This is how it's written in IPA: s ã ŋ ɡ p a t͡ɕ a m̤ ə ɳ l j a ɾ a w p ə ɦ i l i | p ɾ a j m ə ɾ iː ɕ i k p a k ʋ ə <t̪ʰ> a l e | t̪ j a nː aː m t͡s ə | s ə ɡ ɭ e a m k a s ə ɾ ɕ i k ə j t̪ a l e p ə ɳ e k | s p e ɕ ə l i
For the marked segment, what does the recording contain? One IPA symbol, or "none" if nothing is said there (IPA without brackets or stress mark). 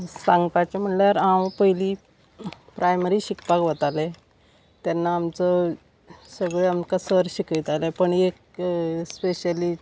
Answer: t̪